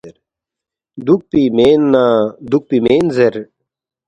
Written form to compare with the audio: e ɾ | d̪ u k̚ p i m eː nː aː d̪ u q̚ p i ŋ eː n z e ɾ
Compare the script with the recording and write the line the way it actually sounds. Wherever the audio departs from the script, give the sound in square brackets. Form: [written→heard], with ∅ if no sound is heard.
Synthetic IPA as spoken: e ɾ | d̪ u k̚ p i m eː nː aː d̪ u [q̚→k̚] p i [ŋ→m] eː n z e ɾ

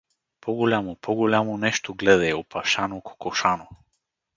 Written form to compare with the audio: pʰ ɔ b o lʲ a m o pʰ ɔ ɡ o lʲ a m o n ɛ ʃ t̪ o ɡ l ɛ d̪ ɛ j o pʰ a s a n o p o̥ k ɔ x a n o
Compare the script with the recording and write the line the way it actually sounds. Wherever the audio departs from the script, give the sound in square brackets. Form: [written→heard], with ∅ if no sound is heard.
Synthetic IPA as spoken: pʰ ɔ [b→ɡ] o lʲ a m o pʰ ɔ ɡ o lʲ a m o n ɛ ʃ t̪ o ɡ l ɛ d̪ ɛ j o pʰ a [s→ʃ] a n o [p→k] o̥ k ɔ [x→ʃ] a n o

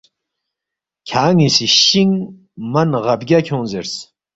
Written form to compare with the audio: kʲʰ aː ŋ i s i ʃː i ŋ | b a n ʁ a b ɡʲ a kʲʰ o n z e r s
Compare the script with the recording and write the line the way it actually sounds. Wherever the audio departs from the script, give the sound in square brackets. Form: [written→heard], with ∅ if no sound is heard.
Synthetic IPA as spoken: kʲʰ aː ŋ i s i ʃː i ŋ | [b→m] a n ʁ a b ɡʲ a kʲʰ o n z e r s

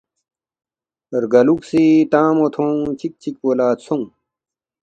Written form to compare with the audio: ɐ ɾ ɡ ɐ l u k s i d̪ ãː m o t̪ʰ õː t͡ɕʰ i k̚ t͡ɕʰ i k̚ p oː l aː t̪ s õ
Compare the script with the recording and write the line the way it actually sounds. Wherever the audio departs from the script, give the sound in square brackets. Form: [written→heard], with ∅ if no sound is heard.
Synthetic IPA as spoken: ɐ ɾ ɡ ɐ l u k s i [d̪→t̪] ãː m o t̪ʰ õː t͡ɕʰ i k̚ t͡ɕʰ i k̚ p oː l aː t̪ s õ

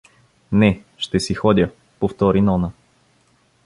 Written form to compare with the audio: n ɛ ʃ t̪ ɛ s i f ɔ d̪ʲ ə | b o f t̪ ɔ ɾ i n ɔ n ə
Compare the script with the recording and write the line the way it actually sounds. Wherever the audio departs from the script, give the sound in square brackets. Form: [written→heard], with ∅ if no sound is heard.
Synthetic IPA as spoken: n ɛ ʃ t̪ ɛ s i [f→x] ɔ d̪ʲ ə | [b→p] o f t̪ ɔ ɾ i n ɔ n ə

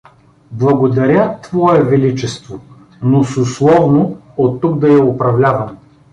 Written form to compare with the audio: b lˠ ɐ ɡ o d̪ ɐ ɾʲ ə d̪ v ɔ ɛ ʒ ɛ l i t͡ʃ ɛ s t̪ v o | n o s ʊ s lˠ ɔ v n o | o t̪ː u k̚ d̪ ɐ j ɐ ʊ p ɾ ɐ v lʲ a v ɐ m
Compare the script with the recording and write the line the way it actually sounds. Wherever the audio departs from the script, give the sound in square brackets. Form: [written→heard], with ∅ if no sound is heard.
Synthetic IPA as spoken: b lˠ ɐ ɡ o d̪ ɐ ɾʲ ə [d̪→t̪] v ɔ ɛ [ʒ→v] ɛ l i t͡ʃ ɛ s t̪ v o | n o s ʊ s lˠ ɔ v n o | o t̪ː u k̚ d̪ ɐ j ɐ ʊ p ɾ ɐ v lʲ a v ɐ m

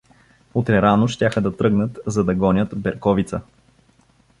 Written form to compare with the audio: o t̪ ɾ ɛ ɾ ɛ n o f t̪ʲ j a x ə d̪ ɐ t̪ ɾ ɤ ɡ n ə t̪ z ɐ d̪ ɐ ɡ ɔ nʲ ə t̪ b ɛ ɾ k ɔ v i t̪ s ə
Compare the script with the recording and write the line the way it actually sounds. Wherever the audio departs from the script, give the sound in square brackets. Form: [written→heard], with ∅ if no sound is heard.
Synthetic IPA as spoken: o t̪ ɾ ɛ ɾ [ɛ→a] n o [f→ʃ] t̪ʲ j a x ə d̪ ɐ t̪ ɾ ɤ ɡ n ə t̪ z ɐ d̪ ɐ ɡ ɔ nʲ ə t̪ b ɛ ɾ k ɔ v i t̪ s ə

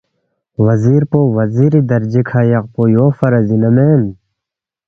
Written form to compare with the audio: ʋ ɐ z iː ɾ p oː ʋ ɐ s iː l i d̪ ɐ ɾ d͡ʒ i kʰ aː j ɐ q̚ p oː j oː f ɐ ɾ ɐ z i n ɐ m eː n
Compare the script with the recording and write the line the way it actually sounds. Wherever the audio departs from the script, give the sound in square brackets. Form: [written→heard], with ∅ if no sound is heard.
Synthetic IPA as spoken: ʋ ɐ z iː ɾ p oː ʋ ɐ [s→z] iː [l→ɾ] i d̪ ɐ ɾ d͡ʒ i kʰ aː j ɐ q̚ p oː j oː f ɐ ɾ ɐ z i n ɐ m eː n

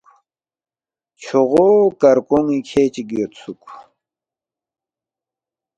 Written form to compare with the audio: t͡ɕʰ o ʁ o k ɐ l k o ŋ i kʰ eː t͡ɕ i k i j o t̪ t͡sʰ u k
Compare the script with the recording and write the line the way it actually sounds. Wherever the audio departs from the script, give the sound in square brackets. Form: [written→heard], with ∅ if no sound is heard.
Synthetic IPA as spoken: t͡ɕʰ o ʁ o k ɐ [l→ɾ] k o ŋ i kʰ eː t͡ɕ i [k→ɡ] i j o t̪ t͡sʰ u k

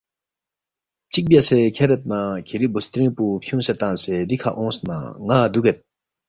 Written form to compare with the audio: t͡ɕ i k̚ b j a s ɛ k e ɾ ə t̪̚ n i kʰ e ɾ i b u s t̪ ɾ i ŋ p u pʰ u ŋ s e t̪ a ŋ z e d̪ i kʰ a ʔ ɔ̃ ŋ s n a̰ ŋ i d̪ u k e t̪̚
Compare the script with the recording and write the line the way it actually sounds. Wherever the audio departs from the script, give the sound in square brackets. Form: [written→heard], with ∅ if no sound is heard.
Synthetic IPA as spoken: t͡ɕ i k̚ b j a s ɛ [k→kʰ] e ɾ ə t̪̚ n [i→a] kʰ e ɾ i b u s t̪ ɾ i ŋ p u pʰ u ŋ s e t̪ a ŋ [z→s] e d̪ i kʰ a ʔ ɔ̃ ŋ s n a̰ ŋ [i→a] d̪ u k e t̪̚

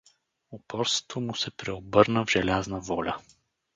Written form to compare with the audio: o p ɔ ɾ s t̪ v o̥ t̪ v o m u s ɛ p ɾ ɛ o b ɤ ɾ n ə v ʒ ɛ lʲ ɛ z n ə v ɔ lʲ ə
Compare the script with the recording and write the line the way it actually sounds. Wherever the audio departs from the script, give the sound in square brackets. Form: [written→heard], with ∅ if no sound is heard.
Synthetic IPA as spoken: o p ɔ ɾ s t̪ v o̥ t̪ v o m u s ɛ p ɾ ɛ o b ɤ ɾ n ə v ʒ ɛ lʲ [ɛ→a] z n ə v ɔ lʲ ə

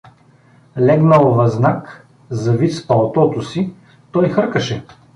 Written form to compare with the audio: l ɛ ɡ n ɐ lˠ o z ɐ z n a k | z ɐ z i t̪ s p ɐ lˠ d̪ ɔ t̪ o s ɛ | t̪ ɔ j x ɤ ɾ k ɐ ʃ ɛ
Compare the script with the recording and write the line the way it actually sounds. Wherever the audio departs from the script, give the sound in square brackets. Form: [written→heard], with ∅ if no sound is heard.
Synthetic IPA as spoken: l ɛ ɡ n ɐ lˠ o [z→v] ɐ z n a k | z ɐ [z→v] i t̪ s p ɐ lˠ [d̪→t̪] ɔ t̪ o s [ɛ→i] | t̪ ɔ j x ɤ ɾ k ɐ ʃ ɛ

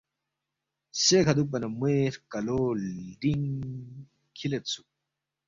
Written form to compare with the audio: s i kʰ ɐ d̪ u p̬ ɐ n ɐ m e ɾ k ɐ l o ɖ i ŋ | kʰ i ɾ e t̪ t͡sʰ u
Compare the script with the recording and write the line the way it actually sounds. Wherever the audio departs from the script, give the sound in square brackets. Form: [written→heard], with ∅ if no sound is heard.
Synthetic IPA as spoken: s [i→e] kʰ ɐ d̪ u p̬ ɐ n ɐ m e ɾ k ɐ l o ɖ i ŋ | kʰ i [ɾ→l] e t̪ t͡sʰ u

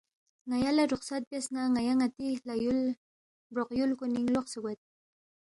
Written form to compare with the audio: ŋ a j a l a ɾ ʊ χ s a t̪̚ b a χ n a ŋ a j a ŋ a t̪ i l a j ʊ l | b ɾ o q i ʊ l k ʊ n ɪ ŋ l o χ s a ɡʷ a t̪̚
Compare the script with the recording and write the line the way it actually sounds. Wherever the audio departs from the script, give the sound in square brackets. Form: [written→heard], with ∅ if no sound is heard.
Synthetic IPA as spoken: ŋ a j a l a ɾ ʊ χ s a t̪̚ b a [χ→s] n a ŋ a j a ŋ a t̪ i l a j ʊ l | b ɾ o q [i→j] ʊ l k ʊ n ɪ ŋ l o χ s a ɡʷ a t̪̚

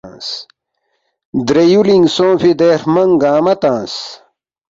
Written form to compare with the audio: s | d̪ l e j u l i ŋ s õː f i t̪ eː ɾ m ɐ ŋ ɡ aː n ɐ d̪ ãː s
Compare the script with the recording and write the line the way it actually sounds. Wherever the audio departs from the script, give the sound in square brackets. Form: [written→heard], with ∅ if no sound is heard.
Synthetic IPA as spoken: s | d̪ [l→ɾ] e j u l i ŋ s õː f i [t̪→d̪] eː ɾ m ɐ ŋ ɡ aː [n→m] ɐ [d̪→t̪] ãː s

